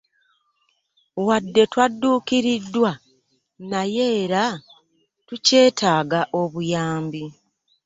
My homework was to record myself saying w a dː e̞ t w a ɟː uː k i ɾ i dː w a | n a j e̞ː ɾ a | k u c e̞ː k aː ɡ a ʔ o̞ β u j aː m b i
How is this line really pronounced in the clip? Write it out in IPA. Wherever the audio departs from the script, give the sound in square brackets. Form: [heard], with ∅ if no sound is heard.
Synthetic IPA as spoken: w a dː e̞ t w a [dː] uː k i ɾ i dː w a | n a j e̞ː ɾ a | [t] u c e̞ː [t] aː ɡ a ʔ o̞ β u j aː m b i